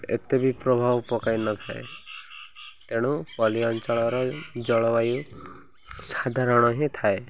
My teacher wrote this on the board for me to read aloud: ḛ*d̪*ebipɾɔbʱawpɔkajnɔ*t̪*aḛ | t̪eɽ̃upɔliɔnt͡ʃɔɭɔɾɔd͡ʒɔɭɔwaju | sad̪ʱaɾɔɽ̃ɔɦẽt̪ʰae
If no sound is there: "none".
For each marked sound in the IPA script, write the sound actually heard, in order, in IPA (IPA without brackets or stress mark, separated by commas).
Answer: t̪, t̪ʰ